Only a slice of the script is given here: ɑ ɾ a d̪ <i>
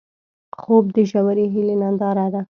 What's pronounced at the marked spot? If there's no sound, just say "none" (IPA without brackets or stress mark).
a